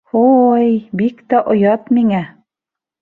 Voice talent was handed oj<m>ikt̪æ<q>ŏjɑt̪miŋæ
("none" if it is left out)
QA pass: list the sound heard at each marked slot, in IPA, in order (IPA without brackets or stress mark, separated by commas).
b, ʔ